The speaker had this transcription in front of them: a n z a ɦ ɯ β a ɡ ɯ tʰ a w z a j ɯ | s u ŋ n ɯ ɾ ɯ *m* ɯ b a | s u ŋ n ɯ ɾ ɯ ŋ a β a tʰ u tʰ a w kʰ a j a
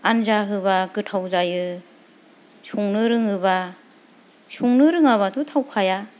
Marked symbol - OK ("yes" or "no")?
no